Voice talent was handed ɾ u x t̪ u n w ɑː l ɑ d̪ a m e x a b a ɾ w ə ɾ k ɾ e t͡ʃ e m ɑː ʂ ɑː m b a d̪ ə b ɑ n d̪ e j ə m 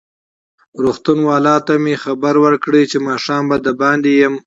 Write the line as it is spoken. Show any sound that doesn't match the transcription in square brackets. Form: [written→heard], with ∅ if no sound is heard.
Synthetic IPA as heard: ɾ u x t̪ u n w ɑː l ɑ [d̪→t̪] a m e x a b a ɾ w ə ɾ k [ɾ→ɽ] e t͡ʃ e m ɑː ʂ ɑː m b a d̪ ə b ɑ n d̪ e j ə m